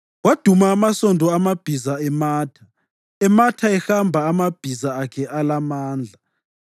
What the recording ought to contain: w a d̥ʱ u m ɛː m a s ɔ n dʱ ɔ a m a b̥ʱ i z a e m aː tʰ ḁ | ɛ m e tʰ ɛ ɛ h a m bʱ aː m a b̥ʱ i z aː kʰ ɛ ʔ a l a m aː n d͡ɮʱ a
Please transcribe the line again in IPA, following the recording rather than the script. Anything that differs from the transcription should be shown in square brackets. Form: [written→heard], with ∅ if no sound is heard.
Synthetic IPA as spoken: w a d̥ʱ u m [ɛː→aː] m a s ɔ n dʱ ɔ a m a b̥ʱ i z a [e→ɛ] m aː tʰ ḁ | ɛ m [e→a] tʰ [ɛ→a] ɛ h a m bʱ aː m a b̥ʱ i z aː kʰ ɛ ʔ a l a m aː n d͡ɮʱ a

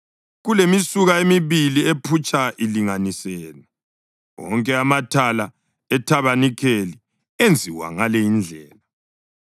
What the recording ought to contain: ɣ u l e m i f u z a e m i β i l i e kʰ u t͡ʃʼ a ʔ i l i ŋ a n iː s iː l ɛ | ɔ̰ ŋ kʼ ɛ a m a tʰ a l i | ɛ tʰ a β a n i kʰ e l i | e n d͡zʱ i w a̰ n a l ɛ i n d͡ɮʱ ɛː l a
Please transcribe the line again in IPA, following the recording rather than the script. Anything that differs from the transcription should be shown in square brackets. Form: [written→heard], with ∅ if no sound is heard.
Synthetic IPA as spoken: ɣ u l e m i [f→s] u [z→ɣ] a e m i β i l i e [kʰ→pʰ] u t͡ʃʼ a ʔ i l i ŋ a n [iː→i] s [iː→ɛː] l ɛ | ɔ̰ ŋ kʼ ɛ a m a tʰ a l [i→a] | ɛ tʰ a β a n i kʰ e l i | e n d͡zʱ i w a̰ [n→ŋ] a l ɛ i n d͡ɮʱ ɛː l a

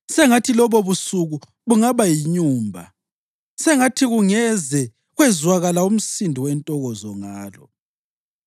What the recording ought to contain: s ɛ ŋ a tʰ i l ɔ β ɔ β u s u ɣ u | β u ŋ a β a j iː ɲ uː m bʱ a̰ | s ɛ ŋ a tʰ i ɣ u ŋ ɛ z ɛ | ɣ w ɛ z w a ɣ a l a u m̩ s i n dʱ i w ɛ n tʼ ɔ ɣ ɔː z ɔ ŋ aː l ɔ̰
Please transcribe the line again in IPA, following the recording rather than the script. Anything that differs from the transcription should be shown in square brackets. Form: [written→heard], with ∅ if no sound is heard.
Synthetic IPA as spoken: s ɛ ŋ a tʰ i l ɔ β ɔ β u s u ɣ u | β u ŋ a β a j [iː→i] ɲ uː m bʱ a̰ | s ɛ ŋ a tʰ i ɣ u ŋ ɛ z ɛ | ɣ w ɛ z w a ɣ a l a u m̩ s i n dʱ i w ɛ n tʼ ɔ ɣ [ɔː→ɔ] z ɔ ŋ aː l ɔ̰

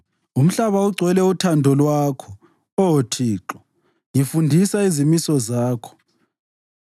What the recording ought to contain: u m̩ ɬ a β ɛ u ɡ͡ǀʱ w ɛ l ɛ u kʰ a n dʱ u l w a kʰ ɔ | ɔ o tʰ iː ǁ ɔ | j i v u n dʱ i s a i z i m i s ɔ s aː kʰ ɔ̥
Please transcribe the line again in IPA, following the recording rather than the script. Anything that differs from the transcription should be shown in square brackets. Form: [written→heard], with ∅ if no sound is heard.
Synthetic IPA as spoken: u m̩ ɬ a β [ɛ→a] u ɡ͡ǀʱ w ɛ l ɛ u [kʰ→tʰ] a n dʱ [u→ɔ] l w a kʰ ɔ | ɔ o tʰ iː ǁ ɔ | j i [v→f] u n dʱ i s a i z i m i s ɔ [s→z] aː kʰ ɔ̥

